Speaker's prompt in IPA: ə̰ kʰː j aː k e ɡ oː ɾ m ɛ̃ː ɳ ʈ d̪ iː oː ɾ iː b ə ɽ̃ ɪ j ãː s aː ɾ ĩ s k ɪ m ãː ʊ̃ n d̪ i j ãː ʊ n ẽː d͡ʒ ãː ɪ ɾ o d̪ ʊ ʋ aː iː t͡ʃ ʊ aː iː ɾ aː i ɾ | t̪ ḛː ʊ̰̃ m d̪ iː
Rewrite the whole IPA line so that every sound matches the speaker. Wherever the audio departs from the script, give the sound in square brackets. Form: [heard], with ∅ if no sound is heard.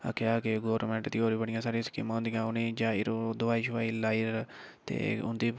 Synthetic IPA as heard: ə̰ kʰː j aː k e ɡ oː ɾ m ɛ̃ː ɳ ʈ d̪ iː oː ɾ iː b ə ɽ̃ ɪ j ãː s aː ɾ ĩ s k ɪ m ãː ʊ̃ n d̪ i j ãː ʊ n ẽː d͡ʒ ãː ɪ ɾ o d̪ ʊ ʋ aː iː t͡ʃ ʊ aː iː [l] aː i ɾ | t̪ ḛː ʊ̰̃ [n] d̪ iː

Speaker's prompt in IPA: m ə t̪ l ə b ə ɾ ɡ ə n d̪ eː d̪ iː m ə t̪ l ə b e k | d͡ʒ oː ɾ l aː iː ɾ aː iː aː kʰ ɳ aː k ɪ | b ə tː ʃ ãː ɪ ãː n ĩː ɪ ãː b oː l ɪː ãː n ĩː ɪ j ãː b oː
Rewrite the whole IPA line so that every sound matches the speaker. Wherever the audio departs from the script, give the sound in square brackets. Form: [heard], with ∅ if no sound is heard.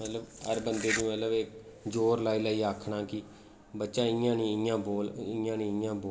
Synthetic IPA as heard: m ə t̪ l ə b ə ɾ [b] ə n d̪ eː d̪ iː m ə t̪ l ə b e k | d͡ʒ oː ɾ l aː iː [l] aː iː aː kʰ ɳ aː k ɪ | b ə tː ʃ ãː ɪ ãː n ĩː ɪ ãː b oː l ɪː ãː n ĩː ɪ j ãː b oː

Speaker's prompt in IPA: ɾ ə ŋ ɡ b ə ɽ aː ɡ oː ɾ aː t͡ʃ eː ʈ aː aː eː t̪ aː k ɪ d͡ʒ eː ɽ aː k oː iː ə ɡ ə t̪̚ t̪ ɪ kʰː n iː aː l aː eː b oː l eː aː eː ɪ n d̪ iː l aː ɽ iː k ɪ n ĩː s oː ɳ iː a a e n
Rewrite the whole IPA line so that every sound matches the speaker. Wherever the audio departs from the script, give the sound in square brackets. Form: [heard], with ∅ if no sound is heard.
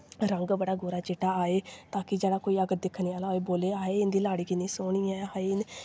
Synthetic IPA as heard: ɾ ə ŋ ɡ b ə ɽ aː ɡ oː ɾ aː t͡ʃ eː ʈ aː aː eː t̪ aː k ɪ d͡ʒ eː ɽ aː k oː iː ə ɡ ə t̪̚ [d̪] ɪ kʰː n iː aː l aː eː b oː l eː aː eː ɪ n d̪ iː l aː ɽ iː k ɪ n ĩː s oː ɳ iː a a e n

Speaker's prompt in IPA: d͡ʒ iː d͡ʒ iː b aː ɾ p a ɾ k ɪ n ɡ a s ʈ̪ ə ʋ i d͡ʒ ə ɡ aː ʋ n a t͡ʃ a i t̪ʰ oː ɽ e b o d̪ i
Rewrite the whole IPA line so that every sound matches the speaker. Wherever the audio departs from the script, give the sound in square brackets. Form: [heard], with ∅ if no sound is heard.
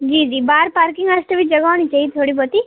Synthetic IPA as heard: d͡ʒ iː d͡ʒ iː b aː ɾ p a ɾ k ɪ [ŋ] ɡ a s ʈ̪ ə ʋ i d͡ʒ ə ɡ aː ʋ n [i] t͡ʃ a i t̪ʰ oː ɽ [i] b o [t̪] i

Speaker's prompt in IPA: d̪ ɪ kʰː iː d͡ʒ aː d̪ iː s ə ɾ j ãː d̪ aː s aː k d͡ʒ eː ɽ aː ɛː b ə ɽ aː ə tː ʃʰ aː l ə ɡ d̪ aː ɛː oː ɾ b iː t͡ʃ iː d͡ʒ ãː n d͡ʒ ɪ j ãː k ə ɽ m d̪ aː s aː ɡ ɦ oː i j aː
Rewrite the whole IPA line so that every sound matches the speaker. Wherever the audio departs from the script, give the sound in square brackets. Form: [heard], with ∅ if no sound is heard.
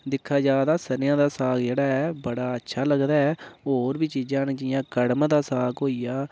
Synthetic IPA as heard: d̪ ɪ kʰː [aː] d͡ʒ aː d̪ [aː] s ə ɾ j ãː d̪ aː s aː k d͡ʒ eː ɽ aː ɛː b ə ɽ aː ə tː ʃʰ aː l ə ɡ d̪ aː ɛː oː ɾ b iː t͡ʃ iː d͡ʒ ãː n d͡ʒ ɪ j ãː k ə ɽ m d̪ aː s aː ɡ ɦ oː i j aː

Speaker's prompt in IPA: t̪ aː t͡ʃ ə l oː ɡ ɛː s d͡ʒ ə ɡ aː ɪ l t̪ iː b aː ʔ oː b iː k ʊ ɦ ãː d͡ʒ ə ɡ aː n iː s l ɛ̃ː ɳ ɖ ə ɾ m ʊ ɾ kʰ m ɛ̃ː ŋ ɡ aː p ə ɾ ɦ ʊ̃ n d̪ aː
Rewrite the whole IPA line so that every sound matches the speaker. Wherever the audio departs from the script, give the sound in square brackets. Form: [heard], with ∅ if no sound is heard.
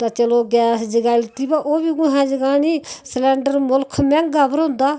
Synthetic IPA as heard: t̪ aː t͡ʃ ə l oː ɡ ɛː s d͡ʒ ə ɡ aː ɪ l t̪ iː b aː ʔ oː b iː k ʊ ɦ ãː d͡ʒ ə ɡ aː n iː s l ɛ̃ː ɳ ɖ ə ɾ m ʊ [l] kʰ m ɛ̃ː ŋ ɡ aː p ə ɾ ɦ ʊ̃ n d̪ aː

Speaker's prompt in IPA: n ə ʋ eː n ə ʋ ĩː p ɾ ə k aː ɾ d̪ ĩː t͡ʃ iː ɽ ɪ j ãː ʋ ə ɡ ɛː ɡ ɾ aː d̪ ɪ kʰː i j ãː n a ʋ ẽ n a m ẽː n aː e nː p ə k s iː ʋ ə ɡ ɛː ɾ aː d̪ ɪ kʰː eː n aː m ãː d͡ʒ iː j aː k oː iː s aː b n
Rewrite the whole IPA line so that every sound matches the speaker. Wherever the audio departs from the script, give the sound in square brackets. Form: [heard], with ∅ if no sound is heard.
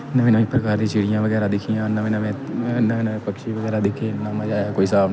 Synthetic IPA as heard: n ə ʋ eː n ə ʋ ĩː p ɾ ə k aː ɾ d̪ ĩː t͡ʃ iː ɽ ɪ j ãː ʋ ə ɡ ɛː [∅] ɾ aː d̪ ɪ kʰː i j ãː n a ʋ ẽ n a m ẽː n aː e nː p ə k [ʃ] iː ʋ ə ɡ ɛː ɾ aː d̪ ɪ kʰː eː n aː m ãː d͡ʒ [aː] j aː k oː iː s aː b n

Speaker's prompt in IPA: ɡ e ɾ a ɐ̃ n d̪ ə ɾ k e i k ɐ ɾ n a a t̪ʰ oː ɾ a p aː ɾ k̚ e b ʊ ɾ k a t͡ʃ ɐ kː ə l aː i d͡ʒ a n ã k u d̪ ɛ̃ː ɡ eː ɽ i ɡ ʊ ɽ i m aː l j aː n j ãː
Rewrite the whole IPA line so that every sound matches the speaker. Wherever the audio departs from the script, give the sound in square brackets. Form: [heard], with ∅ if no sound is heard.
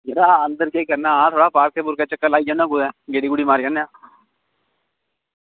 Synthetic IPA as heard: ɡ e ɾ a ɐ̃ n d̪ ə ɾ k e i k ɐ ɾ n a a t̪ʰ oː [ɽ] a p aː ɾ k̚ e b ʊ ɾ k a t͡ʃ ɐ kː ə l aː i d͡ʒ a n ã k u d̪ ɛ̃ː ɡ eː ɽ i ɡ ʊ ɽ i m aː [ɾ] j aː n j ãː

